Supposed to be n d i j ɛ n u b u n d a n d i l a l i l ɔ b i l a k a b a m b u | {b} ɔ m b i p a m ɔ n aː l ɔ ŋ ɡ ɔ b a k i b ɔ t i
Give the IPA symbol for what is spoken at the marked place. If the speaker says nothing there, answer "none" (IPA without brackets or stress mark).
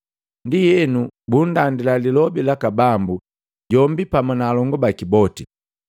ɟ